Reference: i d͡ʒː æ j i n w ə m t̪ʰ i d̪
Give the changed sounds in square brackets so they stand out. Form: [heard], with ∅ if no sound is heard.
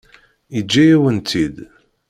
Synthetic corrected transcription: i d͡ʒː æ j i [∅] w ə [n] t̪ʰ i d̪